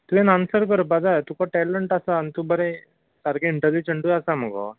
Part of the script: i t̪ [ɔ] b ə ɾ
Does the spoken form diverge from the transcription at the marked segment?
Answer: yes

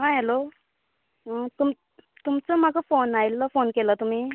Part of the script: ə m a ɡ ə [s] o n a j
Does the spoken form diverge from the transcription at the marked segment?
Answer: yes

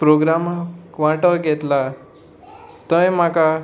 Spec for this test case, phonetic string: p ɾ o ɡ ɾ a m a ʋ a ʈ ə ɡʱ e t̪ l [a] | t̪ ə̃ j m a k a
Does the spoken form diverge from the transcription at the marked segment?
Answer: no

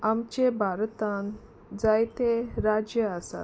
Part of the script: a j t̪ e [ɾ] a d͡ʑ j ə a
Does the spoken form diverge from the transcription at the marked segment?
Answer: no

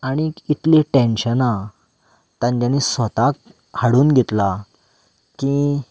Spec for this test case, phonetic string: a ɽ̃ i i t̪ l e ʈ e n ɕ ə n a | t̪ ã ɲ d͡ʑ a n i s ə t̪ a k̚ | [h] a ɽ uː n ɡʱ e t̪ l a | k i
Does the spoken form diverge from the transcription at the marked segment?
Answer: no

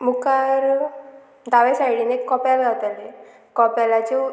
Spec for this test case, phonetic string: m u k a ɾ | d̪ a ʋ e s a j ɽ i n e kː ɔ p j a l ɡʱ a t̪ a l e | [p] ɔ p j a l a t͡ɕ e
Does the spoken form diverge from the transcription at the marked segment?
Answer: yes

